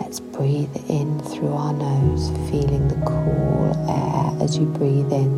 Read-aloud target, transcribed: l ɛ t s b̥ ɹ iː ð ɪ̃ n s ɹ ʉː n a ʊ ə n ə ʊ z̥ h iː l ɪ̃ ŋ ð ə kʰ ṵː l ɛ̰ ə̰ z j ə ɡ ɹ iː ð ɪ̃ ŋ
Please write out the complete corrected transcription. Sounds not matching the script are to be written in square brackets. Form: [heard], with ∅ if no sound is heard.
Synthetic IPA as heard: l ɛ t s b̥ ɹ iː ð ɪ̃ n [θ] ɹ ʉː [∅] a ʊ ə n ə ʊ z̥ [f] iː l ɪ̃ ŋ ð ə kʰ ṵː l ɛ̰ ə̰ z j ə [b] ɹ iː ð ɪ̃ [n]